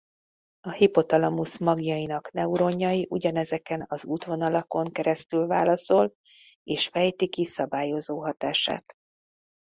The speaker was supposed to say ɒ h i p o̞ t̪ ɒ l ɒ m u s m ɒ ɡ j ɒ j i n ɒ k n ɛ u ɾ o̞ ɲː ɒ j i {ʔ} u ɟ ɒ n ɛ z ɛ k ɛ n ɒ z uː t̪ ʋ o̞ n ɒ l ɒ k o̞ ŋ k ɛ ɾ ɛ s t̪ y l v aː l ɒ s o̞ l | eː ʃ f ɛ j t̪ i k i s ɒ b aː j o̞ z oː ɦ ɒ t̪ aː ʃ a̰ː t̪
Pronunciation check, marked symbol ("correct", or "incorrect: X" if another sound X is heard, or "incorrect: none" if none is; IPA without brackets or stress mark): correct